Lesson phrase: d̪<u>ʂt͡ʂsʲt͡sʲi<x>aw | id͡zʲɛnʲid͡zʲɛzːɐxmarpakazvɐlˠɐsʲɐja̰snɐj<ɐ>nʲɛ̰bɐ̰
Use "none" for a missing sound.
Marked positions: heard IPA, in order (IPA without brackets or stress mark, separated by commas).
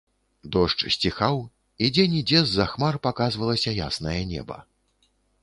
ɔ, x, ɐ